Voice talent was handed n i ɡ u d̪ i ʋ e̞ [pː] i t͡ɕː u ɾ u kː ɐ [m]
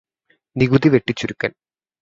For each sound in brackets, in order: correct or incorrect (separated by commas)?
incorrect, incorrect